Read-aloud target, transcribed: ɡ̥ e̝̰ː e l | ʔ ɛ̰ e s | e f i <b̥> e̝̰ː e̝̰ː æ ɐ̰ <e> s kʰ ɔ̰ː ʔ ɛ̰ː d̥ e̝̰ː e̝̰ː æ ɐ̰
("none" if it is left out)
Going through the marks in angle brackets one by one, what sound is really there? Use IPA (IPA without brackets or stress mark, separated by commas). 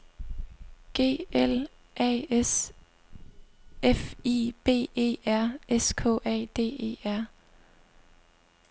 b̥, e